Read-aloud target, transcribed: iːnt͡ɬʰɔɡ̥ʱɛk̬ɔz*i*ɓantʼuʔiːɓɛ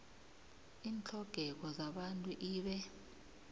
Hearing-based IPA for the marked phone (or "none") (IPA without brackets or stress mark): a